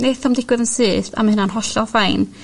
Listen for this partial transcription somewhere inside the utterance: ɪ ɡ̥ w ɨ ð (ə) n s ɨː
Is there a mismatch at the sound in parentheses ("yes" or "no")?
no